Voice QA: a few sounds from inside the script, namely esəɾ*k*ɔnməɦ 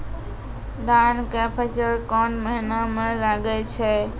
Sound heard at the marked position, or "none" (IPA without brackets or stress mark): k